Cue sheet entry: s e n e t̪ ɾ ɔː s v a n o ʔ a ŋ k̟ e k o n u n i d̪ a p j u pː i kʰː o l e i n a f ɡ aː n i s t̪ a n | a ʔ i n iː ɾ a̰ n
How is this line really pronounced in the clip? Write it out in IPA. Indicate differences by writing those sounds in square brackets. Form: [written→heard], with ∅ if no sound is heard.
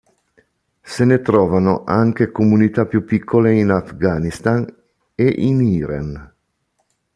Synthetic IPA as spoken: s e n e t̪ ɾ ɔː [s→∅] v a n o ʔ a ŋ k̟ e k o [n→m] u n i [d̪→t̪] a p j u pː i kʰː o l e i n a f ɡ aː n i s t̪ a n | [a→e] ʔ i n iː ɾ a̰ n

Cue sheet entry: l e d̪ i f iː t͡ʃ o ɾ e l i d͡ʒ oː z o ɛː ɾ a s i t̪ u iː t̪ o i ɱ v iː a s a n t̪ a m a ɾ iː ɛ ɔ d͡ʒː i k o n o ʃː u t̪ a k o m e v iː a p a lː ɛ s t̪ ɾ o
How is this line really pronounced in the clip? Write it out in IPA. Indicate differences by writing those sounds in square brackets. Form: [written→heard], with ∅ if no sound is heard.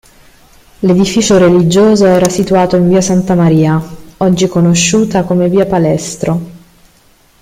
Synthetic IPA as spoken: l e d̪ i f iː t͡ʃ o ɾ e l i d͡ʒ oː z o ɛː ɾ a s i t̪ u [iː→aː] t̪ o i ɱ v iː a s a n t̪ a m a ɾ iː [ɛ→a] ɔ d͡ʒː i k o n o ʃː [u→uː] t̪ a k o m e v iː a p a [lː→l] ɛ s t̪ ɾ o

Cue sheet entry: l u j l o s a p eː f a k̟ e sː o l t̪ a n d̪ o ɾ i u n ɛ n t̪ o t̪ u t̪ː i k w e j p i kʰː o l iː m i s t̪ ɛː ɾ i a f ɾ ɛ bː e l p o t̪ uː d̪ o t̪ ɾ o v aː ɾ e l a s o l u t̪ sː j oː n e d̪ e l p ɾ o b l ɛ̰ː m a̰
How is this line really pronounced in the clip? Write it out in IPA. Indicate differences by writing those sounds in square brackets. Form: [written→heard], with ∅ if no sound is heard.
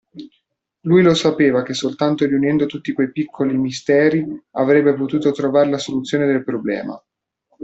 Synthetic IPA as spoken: l u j l o s a p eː [f→v] a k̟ e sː o l t̪ a n [d̪→t̪] o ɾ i u n ɛ n [t̪→d̪] o t̪ u t̪ː i k w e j p i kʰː o l [iː→i] m i s t̪ ɛː ɾ i a [f→v] ɾ ɛ bː e [l→∅] p o t̪ uː [d̪→t̪] o t̪ ɾ o v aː ɾ e l a s o l u t̪ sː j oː n e d̪ e l p ɾ o b l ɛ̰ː m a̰

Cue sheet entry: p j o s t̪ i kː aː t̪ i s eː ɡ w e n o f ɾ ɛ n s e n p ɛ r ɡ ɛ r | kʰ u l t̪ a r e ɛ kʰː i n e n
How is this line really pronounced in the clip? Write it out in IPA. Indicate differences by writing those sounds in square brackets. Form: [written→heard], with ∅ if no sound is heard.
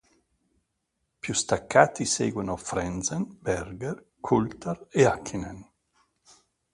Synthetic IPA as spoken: p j [o→u] s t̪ [i→a] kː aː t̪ i s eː ɡ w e n o f ɾ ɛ n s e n [p→b] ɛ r ɡ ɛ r | kʰ u l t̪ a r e [ɛ→a] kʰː i n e n

